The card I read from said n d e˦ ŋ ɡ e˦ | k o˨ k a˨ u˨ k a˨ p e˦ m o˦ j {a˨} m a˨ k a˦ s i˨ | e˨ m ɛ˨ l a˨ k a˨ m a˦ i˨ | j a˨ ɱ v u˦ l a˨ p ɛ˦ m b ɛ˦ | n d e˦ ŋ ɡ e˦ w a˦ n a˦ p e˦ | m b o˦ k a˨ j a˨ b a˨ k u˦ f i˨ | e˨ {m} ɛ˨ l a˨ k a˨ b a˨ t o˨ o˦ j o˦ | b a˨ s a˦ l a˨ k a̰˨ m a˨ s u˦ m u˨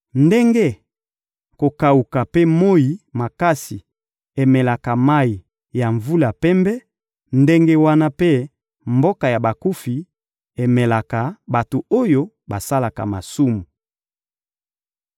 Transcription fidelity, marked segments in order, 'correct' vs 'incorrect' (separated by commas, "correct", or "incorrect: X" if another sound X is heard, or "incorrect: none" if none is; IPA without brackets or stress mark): incorrect: i˨, correct